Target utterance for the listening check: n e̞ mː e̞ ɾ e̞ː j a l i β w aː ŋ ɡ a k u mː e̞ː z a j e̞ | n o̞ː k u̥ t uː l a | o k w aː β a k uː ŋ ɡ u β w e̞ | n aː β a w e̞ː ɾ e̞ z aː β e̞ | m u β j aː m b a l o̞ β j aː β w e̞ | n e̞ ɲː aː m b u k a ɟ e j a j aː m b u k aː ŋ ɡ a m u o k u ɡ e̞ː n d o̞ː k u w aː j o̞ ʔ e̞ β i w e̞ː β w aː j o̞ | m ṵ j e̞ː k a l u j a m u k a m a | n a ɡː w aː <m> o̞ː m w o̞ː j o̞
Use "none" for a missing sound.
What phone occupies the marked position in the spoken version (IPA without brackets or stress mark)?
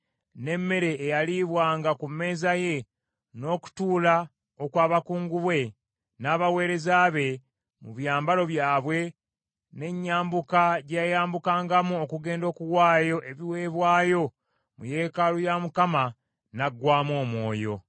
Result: m